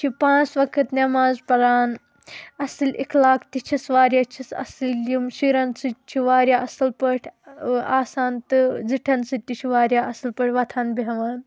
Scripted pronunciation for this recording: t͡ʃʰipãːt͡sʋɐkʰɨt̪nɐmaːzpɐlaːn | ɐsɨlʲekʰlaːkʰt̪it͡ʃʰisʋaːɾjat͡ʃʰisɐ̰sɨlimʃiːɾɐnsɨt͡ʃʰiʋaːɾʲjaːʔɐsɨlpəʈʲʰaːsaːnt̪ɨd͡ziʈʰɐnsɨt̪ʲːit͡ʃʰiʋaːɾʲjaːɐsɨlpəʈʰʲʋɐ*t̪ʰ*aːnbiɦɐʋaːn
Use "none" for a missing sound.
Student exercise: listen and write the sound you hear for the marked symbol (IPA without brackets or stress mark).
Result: t̪ʰ